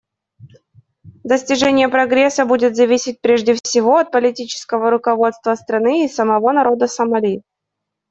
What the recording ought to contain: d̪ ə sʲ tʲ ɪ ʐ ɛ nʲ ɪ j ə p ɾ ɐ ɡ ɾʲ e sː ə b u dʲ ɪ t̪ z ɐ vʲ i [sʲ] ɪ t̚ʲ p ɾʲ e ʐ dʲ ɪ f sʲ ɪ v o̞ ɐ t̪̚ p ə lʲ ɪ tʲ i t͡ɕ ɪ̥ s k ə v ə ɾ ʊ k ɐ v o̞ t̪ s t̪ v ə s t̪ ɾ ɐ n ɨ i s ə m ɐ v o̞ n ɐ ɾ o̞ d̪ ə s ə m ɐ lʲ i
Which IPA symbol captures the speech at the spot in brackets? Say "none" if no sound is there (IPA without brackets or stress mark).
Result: sʲ